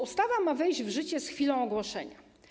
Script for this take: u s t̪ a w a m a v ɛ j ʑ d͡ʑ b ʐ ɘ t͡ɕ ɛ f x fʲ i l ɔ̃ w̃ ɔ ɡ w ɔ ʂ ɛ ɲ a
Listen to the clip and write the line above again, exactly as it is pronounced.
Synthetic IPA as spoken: u s t̪ a v a m a v ɛ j ʑ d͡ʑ v ʐ ɘ t͡ɕ ɛ s x fʲ i l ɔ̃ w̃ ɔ ɡ w ɔ ʂ ɛ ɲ a